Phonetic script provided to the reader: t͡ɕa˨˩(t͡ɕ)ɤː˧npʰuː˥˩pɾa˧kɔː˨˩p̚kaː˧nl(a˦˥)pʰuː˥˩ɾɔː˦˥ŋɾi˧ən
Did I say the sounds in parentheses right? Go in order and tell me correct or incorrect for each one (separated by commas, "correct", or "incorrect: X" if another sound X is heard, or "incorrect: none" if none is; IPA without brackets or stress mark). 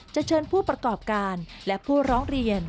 incorrect: t͡ɕʰ, incorrect: ɛ˦˥